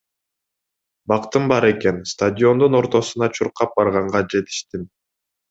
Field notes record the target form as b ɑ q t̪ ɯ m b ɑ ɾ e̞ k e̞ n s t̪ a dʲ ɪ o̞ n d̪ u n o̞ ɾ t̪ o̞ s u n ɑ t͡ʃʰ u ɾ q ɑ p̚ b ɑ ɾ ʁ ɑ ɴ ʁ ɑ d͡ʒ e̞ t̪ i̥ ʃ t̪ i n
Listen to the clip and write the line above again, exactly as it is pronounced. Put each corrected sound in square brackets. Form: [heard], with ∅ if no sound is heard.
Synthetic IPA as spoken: b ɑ q t̪ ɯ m b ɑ ɾ e̞ k e̞ n s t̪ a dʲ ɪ o̞ n d̪ u n o̞ ɾ t̪ o̞ s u n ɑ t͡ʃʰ u ɾ q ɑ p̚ b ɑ ɾ ʁ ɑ ɴ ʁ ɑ d͡ʒ e̞ t̪ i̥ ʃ t̪ i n